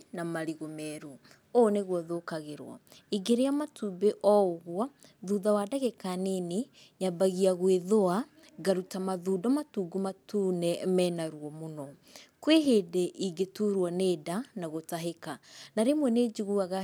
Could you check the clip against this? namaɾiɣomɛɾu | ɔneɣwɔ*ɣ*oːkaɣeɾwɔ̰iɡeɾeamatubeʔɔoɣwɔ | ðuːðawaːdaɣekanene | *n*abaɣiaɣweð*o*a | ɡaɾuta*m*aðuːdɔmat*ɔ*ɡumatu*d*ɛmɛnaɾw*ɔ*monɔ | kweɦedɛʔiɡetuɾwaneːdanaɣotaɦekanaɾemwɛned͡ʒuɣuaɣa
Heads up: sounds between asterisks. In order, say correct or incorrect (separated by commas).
incorrect, incorrect, correct, correct, incorrect, incorrect, correct